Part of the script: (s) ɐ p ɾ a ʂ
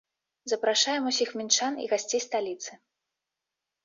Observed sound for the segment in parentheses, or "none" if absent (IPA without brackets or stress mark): z